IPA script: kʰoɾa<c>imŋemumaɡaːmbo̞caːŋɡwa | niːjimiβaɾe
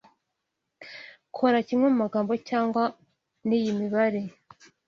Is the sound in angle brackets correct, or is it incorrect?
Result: correct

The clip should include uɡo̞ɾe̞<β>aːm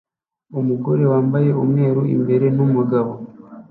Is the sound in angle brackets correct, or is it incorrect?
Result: incorrect: w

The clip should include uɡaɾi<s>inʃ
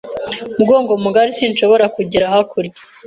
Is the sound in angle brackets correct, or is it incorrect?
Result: correct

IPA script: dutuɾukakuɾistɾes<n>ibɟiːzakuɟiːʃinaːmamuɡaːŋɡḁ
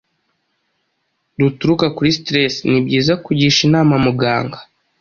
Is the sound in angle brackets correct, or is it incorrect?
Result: correct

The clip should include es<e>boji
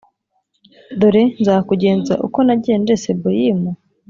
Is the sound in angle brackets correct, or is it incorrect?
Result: correct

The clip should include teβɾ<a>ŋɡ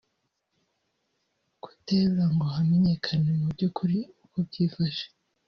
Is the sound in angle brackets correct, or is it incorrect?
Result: correct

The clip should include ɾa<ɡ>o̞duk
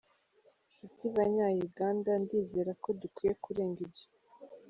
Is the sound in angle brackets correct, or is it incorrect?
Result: incorrect: k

